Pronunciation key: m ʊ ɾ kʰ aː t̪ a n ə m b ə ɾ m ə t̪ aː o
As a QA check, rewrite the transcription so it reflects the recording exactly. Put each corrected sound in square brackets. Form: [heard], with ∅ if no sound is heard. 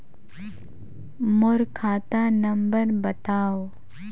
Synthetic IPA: m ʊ ɾ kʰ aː t̪ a n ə m b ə ɾ [b] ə t̪ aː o